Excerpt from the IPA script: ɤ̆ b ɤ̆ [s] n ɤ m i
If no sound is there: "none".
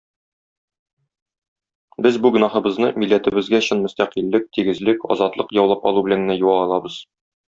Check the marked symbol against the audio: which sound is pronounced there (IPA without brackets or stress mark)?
z